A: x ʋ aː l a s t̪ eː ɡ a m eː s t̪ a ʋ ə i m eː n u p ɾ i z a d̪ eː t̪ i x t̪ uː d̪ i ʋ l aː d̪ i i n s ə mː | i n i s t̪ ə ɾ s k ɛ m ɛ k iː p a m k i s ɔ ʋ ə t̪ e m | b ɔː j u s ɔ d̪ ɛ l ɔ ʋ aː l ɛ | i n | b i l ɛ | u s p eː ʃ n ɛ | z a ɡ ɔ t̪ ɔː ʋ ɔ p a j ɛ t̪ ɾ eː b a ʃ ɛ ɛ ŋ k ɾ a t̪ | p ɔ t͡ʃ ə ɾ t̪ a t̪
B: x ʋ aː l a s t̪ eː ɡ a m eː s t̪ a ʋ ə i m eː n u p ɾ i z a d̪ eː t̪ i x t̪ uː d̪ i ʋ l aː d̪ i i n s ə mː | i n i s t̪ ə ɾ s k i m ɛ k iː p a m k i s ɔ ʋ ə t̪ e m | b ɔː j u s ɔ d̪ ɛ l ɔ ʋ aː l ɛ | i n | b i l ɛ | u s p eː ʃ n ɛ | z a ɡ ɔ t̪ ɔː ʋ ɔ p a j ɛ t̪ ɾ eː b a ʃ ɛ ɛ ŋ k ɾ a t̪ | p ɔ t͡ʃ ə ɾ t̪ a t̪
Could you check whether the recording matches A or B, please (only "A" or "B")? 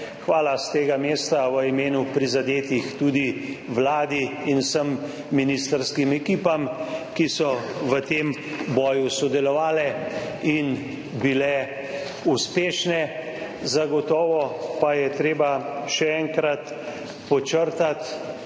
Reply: B